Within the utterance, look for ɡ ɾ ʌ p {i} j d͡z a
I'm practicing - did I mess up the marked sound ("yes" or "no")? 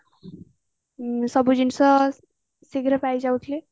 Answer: yes